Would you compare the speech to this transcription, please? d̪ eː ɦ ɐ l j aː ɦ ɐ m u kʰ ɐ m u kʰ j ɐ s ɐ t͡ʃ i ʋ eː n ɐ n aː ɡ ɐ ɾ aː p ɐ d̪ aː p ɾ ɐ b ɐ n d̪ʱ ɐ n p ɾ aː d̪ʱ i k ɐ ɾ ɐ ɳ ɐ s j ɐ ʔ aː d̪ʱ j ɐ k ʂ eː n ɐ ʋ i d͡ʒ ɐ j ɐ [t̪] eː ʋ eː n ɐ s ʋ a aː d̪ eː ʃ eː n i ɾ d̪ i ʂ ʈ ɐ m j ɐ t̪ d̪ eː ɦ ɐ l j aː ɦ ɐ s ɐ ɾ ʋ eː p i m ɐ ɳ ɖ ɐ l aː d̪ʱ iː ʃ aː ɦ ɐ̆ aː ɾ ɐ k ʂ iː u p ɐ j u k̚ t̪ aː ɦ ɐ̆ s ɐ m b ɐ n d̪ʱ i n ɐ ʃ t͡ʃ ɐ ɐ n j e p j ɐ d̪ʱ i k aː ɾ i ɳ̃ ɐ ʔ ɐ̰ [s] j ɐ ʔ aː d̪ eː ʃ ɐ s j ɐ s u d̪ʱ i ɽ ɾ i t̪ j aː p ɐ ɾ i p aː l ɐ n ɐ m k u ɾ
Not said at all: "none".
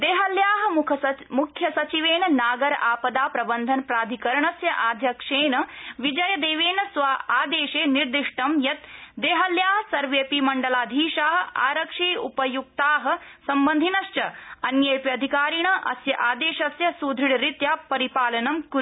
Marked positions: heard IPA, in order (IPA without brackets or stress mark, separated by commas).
d̪, s